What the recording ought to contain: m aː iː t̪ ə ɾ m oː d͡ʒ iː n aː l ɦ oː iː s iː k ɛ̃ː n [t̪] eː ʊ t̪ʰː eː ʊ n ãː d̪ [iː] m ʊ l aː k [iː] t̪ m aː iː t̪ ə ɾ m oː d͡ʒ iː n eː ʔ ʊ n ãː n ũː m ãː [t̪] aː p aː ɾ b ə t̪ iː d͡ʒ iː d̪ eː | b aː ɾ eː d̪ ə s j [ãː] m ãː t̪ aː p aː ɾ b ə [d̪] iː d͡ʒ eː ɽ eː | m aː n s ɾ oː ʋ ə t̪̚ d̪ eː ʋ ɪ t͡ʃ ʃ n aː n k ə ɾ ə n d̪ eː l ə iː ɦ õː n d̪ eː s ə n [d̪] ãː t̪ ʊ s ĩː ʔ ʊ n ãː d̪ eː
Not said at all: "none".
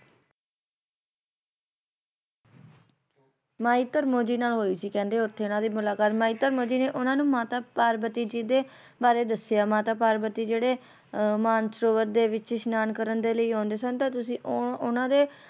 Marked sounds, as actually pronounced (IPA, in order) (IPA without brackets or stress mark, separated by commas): d̪, iː, aː, t̪, aː, t̪, t̪